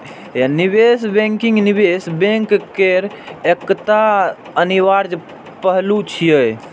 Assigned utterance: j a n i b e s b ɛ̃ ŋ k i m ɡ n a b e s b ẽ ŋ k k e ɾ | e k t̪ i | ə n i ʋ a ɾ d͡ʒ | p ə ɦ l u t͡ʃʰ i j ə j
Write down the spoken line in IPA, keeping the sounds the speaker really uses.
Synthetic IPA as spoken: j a n i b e s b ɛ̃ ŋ k i ŋ ɡ n i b e s b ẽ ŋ k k e ɾ | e k t̪ a | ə n i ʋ a ɾ d͡ʒ | p ə ɦ l u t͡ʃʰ i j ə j